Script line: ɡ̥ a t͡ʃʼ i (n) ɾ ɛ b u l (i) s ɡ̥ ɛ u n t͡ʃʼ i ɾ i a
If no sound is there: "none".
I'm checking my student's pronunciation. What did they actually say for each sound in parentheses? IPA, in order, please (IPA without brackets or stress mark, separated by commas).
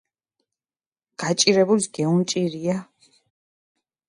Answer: none, i